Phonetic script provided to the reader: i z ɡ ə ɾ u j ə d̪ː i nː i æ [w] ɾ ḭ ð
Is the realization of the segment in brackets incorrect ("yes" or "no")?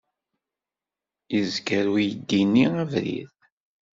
yes